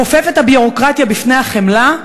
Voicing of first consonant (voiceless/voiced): voiceless